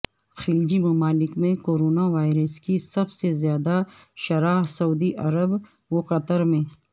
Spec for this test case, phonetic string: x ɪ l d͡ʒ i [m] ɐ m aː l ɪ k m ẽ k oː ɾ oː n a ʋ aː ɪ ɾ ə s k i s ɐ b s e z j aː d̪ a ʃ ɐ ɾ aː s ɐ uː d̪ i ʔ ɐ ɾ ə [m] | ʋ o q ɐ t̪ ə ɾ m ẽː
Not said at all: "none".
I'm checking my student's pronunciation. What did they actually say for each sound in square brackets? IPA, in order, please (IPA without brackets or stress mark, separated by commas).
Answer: m, b